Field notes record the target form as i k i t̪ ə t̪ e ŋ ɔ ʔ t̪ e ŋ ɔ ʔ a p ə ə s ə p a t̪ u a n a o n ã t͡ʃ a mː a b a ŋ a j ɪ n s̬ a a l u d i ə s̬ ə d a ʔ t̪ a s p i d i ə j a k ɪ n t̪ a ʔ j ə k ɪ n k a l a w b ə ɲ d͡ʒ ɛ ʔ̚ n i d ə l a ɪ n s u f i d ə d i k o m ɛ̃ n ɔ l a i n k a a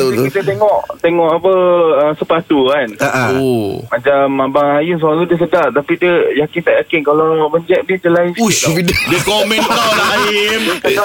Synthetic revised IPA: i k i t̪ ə t̪ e ŋ ɔ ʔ t̪ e ŋ ɔ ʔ a p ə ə s ə p a t̪ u a n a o m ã t͡ʃ a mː a b a ŋ a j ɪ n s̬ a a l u d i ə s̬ ə d a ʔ t̪ a p i d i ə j a k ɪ n t̪ a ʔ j a k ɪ n k a l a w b ə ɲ d͡ʒ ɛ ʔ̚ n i d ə l a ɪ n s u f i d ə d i k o m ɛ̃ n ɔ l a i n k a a